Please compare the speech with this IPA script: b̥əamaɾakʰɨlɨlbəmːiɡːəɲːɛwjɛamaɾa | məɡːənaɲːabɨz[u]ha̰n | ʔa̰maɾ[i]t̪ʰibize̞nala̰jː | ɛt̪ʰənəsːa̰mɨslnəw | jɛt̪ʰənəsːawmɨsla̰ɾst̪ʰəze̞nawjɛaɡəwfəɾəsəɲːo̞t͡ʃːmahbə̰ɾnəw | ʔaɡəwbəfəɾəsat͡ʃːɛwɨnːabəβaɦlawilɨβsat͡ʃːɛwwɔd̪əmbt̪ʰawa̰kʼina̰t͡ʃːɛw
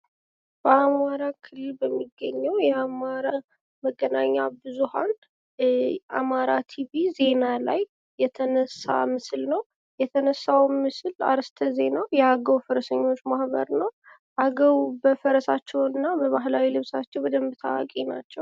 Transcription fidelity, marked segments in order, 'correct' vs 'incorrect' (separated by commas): correct, incorrect